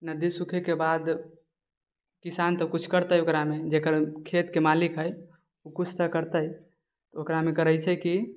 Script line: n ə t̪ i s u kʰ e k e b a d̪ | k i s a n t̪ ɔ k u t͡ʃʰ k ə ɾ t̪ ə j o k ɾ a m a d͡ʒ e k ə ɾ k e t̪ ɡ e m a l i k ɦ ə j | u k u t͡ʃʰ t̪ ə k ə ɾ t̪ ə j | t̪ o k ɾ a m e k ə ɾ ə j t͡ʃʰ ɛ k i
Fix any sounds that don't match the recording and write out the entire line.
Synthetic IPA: n ə d̪ i s u kʰ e k e b a d̪ | k i s a n t̪ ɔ k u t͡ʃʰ k ə ɾ t̪ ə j o k ɾ a m e d͡ʒ e k ə ɾ kʰ e t̪ k e m a l i k ɦ ə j | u k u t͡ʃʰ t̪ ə k ə ɾ t̪ ə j | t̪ o k ɾ a m e k ə ɾ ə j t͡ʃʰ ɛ k i